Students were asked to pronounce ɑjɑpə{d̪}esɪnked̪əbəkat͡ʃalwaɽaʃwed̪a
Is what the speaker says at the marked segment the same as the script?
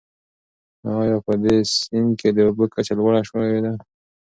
yes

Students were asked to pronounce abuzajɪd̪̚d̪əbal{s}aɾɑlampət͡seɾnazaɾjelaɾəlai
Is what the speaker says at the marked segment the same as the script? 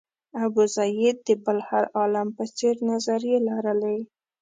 no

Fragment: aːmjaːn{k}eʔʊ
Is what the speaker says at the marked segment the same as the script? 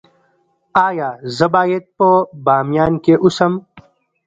yes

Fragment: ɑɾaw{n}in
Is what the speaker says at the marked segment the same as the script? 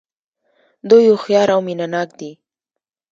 no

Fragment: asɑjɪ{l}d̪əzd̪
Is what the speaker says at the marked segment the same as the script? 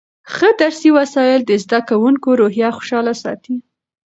yes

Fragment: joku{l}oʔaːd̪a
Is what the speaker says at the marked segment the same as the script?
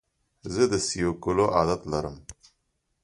yes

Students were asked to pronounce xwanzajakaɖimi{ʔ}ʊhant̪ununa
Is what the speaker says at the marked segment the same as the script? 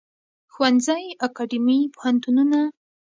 no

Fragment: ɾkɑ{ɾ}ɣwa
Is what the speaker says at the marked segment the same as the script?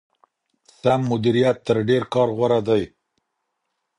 yes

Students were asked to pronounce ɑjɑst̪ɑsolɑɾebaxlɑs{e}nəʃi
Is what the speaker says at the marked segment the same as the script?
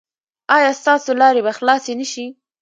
yes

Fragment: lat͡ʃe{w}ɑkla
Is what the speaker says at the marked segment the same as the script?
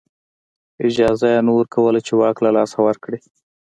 yes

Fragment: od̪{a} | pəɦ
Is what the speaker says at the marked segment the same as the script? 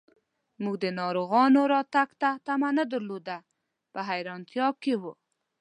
yes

